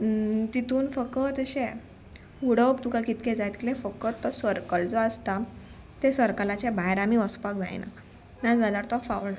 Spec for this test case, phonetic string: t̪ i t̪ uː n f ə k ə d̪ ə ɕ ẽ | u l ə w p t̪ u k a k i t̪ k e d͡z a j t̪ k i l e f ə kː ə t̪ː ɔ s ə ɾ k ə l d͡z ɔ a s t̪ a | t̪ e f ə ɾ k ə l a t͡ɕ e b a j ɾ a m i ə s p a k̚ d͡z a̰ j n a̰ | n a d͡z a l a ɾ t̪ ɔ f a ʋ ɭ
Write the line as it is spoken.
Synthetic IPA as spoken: t̪ i t̪ uː n f ə k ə t̪ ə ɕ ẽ | u ɽ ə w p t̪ u k a k i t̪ k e d͡z a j t̪ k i l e f ə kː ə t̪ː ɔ s ə ɾ k ə l d͡z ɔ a s t̪ a | t̪ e s ə ɾ k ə l a t͡ɕ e b a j ɾ a m i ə s p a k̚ d͡z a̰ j n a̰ | n a d͡z a l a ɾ t̪ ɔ f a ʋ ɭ